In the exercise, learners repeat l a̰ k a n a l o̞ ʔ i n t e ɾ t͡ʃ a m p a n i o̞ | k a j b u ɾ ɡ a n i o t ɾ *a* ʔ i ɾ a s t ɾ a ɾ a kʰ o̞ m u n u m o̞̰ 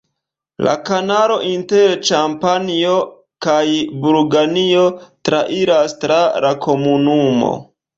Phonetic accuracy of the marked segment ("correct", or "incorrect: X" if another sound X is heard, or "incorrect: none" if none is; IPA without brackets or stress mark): correct